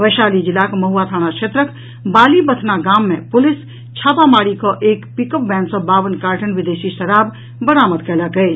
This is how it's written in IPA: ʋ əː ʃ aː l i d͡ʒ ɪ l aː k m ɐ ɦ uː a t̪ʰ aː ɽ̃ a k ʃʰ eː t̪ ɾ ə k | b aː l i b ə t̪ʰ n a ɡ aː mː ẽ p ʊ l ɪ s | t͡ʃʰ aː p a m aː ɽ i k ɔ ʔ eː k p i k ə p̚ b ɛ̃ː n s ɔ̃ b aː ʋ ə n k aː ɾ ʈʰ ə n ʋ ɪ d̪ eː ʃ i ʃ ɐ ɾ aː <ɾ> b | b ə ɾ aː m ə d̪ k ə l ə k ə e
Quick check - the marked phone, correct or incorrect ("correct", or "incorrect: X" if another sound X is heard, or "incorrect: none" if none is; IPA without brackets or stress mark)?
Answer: incorrect: none